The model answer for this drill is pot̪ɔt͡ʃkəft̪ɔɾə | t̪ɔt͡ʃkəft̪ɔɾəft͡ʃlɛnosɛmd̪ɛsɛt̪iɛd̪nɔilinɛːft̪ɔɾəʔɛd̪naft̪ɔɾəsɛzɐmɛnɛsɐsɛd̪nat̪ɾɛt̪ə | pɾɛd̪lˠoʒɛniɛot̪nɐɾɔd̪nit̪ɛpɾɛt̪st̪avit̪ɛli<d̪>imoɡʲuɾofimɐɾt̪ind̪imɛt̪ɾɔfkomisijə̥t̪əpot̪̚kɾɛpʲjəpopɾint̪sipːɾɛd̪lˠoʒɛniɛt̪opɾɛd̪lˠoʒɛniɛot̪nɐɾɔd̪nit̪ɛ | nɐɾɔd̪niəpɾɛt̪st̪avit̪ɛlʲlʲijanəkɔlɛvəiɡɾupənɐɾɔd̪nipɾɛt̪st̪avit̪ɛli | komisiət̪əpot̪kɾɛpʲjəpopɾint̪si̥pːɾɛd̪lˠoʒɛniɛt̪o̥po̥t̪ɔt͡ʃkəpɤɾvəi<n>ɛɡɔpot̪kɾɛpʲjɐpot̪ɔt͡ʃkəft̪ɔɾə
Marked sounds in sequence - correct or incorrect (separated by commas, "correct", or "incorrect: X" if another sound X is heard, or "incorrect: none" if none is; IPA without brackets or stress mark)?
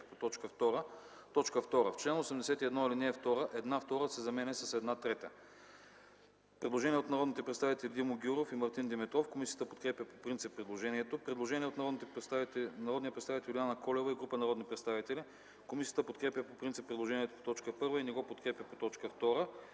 correct, correct